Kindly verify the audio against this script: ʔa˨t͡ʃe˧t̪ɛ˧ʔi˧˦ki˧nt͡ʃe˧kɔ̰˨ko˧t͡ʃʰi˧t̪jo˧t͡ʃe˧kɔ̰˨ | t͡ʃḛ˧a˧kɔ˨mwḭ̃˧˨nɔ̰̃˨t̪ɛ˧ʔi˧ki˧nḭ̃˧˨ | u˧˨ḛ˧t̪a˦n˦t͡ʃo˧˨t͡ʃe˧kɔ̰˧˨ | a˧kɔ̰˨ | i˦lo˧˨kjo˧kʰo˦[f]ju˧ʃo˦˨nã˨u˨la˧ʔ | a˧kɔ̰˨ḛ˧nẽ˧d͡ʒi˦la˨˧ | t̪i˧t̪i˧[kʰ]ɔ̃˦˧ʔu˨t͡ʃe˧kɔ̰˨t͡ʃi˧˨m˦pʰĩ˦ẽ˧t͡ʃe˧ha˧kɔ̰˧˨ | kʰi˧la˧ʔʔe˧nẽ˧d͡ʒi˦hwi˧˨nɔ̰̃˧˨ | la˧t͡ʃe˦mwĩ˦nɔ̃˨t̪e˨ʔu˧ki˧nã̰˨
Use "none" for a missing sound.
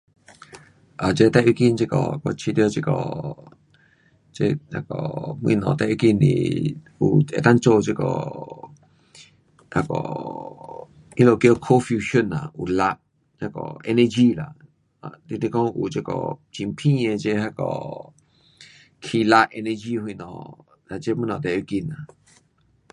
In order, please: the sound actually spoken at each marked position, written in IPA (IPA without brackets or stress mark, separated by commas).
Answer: f, k